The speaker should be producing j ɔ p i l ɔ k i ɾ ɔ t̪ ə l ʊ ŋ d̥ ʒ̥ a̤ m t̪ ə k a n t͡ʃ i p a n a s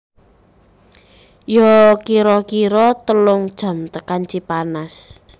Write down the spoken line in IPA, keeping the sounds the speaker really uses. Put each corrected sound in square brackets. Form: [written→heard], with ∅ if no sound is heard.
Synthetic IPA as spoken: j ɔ [p→k] i [l→ɾ] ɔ k i ɾ ɔ t̪ ə l ʊ ŋ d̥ ʒ̥ a̤ m t̪ ə k a n t͡ʃ i p a n a s